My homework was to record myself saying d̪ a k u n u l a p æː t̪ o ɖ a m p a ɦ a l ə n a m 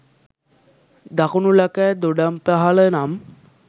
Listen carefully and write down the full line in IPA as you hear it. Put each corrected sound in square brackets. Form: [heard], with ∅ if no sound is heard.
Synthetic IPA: d̪ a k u n u l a [k] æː [d̪] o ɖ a m p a ɦ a l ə n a m